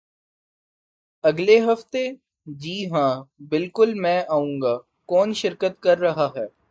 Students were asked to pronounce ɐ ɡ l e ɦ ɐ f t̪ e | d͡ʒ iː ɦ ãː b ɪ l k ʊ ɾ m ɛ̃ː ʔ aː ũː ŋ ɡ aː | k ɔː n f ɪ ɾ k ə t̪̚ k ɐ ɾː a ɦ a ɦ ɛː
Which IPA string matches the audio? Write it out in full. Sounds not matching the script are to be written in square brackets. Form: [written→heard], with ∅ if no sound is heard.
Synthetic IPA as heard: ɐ ɡ l e ɦ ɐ f t̪ e | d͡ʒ iː ɦ ãː b ɪ l k ʊ [ɾ→l] m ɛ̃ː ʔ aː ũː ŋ ɡ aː | k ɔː n [f→ʃ] ɪ ɾ k ə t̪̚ k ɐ ɾː [a→ɐ] ɦ a ɦ ɛː